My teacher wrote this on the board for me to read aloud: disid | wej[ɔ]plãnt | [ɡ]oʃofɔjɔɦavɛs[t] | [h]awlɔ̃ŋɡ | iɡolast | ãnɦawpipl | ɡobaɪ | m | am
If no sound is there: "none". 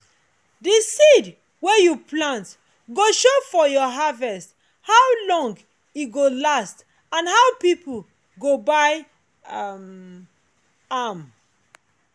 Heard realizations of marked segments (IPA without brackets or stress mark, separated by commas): u, ɡ, t, h